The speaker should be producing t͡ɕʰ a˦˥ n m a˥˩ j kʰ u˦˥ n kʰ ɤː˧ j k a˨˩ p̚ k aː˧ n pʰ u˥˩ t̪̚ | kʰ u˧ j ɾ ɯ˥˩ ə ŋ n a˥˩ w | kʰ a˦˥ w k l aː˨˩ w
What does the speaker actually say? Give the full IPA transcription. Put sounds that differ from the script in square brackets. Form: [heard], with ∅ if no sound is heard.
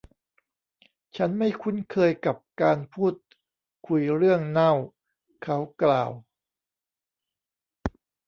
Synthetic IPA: t͡ɕʰ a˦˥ n m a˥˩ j kʰ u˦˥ n kʰ ɤː˧ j k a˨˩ p̚ k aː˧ n pʰ [uː˥˩] t̪̚ | kʰ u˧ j ɾ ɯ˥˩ ə ŋ n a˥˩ w | kʰ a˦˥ w k l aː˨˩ w

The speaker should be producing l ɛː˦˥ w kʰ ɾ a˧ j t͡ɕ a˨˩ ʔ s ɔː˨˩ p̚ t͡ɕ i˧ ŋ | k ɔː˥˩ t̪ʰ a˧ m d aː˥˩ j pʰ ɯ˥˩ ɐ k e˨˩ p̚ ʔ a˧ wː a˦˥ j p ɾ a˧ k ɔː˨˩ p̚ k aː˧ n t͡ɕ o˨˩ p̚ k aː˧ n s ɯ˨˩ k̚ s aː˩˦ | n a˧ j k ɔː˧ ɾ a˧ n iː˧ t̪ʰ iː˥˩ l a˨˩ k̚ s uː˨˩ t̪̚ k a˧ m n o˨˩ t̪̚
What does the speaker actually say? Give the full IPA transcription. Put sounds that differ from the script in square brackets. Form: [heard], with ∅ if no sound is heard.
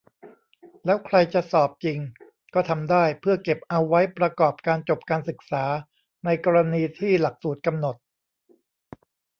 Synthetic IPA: l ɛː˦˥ w kʰ ɾ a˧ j t͡ɕ a˨˩ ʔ s ɔː˨˩ p̚ t͡ɕ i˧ ŋ | k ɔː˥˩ t̪ʰ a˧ m d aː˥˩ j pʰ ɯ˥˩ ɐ k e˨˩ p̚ ʔ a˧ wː a˦˥ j p ɾ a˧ k ɔː˨˩ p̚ k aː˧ n t͡ɕ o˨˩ p̚ k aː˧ n s ɯ˨˩ k̚ s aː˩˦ | n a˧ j k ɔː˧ ɾ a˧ n iː˧ t̪ʰ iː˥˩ l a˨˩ k̚ s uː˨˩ t̪̚ k a˧ m n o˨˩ t̪̚

